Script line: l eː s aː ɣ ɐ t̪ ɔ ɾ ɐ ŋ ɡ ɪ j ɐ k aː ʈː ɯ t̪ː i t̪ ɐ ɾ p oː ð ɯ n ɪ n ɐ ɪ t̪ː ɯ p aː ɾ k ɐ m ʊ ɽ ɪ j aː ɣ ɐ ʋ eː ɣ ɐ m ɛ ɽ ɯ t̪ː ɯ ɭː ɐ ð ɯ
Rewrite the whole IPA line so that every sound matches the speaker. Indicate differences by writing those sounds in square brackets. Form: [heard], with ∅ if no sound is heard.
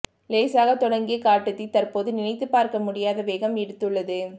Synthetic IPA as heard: l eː s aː ɣ ɐ t̪ ɔ [ɽ] ɐ ŋ ɡ ɪ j ɐ k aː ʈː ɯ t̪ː i t̪ ɐ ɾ p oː ð ɯ n ɪ n ɐ ɪ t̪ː ɯ p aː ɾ k ɐ m ʊ ɽ ɪ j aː [ð] ɐ ʋ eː ɣ ɐ m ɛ ɽ ɯ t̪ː ɯ ɭː ɐ ð ɯ